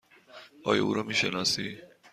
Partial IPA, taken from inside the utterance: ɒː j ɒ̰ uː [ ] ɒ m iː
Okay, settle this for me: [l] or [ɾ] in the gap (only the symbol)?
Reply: ɾ